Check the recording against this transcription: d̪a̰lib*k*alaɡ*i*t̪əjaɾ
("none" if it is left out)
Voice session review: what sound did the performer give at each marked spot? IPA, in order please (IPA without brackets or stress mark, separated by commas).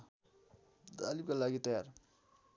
k, i